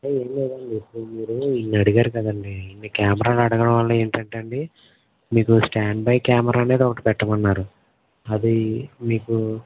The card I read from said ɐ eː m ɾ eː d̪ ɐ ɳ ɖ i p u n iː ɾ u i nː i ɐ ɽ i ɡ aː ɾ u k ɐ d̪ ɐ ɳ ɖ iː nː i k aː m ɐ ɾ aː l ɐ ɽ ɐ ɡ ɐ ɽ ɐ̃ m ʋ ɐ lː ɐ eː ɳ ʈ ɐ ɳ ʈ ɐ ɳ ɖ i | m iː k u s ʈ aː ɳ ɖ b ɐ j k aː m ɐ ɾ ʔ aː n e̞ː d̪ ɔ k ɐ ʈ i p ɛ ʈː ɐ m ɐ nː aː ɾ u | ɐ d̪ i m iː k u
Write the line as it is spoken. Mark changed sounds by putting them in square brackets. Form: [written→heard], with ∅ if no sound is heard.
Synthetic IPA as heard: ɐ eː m [ɾ→l] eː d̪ ɐ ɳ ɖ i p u [n→m] iː ɾ u i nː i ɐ ɽ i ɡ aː ɾ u k ɐ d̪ ɐ ɳ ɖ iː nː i k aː m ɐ ɾ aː l ɐ ɽ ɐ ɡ ɐ ɽ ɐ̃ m ʋ ɐ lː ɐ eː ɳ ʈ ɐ ɳ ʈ ɐ ɳ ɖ i | m iː k u s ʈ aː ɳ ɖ b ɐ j k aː m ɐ ɾ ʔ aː n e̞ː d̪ ɔ k ɐ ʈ i p ɛ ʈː ɐ m ɐ nː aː ɾ u | ɐ d̪ i m iː k u